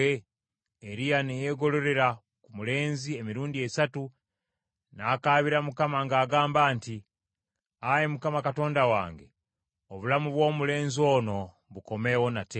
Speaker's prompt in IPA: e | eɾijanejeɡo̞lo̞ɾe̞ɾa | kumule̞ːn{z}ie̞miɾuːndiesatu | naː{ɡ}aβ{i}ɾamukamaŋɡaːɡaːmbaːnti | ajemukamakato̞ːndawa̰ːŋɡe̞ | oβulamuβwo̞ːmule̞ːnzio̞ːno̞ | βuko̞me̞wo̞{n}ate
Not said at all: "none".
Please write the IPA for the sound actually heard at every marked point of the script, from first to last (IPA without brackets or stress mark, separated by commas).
z, k, i, n